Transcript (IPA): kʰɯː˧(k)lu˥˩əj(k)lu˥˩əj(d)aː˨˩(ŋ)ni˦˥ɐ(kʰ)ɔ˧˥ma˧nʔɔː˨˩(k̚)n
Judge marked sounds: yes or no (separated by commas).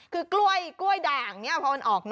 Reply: yes, yes, yes, yes, no, yes